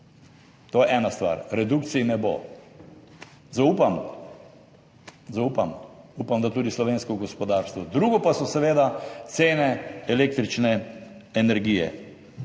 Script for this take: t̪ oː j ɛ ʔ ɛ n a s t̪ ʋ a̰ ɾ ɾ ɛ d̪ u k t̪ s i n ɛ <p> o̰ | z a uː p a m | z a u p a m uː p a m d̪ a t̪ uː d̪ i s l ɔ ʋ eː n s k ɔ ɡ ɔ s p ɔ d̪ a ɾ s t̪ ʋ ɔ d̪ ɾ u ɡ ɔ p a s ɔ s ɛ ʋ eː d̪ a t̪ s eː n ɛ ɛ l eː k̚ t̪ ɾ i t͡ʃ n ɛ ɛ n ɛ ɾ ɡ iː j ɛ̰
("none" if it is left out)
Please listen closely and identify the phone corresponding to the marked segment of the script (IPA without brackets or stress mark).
b